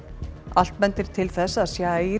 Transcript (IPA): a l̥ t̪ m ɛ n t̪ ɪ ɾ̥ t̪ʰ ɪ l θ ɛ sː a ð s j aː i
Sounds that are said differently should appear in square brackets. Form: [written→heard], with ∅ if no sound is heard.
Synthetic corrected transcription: a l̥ t̪ m ɛ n t̪ ɪ ɾ̥ t̪ʰ ɪ l θ ɛ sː a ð s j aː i

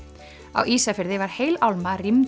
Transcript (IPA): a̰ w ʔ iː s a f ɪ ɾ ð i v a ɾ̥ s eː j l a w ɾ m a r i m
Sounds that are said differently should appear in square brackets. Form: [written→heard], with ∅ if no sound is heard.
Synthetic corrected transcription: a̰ w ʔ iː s a f ɪ ɾ ð [i→ɪ] v a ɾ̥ [s→h] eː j l a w [ɾ→l] m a r i m

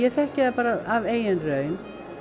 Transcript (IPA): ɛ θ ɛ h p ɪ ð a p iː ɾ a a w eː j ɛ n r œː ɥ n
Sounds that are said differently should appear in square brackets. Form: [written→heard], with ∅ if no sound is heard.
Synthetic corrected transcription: ɛ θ ɛ h [p→c] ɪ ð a p [iː→aː] ɾ a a [w→v] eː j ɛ n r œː ɥ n

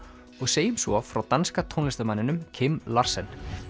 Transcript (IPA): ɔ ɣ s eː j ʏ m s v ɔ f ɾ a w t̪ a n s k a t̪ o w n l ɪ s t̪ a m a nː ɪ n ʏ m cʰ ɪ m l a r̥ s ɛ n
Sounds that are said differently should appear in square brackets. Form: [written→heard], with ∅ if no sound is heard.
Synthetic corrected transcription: ɔ ɣ s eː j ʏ m s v ɔ f ɾ a w t̪ a n s k a [t̪→t̪ʰ] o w n l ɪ s t̪ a m a nː ɪ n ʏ m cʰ ɪ m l a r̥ s ɛ n

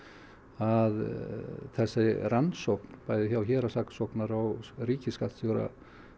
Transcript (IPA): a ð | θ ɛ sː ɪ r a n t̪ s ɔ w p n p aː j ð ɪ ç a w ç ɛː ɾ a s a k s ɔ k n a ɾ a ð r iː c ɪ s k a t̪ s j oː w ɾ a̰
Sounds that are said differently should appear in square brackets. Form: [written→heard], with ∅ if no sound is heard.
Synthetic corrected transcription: a ð | θ ɛ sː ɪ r a n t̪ s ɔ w p n p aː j ð ɪ ç a w ç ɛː ɾ a s a k s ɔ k n a ɾ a [ð→ɣ] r iː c ɪ s k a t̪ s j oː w ɾ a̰

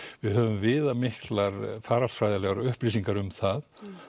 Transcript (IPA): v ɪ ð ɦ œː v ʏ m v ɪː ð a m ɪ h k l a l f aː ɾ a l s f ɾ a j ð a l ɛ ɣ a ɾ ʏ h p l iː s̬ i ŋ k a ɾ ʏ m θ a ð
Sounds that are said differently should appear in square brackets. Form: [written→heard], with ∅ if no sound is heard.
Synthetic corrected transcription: v ɪ ð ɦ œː v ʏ m v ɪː ð a m ɪ h k l a [l→ɾ] f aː ɾ a l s f ɾ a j ð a l ɛ ɣ a ɾ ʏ h p l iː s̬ i ŋ k a ɾ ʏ m θ a ð

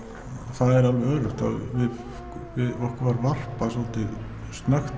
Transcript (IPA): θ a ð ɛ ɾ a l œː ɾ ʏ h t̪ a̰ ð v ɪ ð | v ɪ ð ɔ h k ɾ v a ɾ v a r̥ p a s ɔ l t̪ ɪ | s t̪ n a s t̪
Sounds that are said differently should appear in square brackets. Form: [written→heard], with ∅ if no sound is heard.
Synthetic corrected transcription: θ a ð ɛ ɾ a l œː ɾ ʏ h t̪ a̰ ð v ɪ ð | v ɪ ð ɔ h k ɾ v a ɾ v a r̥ p a s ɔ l t̪ ɪ | s t̪ n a [s→x] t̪

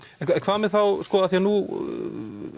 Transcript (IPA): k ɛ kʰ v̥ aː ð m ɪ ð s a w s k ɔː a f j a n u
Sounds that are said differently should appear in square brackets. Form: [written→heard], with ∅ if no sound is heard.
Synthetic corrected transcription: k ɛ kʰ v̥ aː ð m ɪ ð [s→θ] a w s k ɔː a [f→θ] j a n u

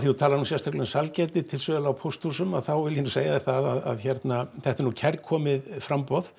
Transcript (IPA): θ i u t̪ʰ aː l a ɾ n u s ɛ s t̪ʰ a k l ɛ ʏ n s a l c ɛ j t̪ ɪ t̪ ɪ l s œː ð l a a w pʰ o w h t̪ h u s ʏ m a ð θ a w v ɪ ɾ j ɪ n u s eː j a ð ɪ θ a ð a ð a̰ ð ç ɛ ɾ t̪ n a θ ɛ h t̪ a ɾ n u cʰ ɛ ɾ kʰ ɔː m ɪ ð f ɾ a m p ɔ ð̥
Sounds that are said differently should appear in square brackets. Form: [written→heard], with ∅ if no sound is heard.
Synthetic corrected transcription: θ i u t̪ʰ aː l a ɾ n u s ɛ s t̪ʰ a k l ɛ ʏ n s a l c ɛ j t̪ ɪ [t̪→t̪ʰ] ɪ l s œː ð l a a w pʰ o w [h→s] t̪ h u s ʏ m a ð θ a w v ɪ [ɾ→l] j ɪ n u s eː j a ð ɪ θ a ð a ð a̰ ð ç ɛ ɾ t̪ n a θ ɛ h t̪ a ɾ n u cʰ ɛ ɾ kʰ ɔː m ɪ ð f ɾ a m p ɔ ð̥

